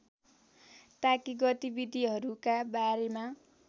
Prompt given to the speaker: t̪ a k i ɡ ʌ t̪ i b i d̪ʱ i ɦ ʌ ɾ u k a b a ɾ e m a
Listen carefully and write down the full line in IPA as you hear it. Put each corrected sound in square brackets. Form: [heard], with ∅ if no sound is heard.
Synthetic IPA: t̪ a k i ɡ ʌ t̪ i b i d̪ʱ i ɦ ʌ ɾ u k a b a ɾ e m a